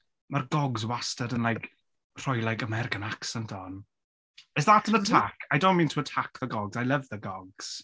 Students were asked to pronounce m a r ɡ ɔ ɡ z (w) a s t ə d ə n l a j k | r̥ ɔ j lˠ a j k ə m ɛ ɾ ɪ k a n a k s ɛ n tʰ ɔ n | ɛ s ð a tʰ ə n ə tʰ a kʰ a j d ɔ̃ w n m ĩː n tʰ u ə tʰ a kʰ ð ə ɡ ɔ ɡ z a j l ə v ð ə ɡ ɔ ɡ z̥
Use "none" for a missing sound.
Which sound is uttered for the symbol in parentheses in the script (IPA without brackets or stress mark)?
w